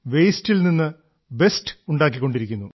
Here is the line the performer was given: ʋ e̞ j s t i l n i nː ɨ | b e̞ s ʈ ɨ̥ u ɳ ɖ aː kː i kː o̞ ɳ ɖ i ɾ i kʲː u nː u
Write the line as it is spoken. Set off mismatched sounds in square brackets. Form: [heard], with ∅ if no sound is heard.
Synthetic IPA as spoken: ʋ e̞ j s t i l n i nː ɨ | b e̞ s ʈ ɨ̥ u ɳ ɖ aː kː i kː o̞ ɳ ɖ i ɾ i kʲː u nː u